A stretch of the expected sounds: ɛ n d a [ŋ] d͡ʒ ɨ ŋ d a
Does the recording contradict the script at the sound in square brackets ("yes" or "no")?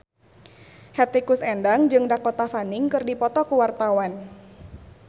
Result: no